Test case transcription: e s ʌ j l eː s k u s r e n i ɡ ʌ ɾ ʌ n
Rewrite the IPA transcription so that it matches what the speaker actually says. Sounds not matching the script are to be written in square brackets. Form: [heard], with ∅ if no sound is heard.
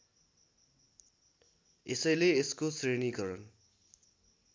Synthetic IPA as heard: e s ʌ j l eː s k [o] s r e n i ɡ ʌ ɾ ʌ n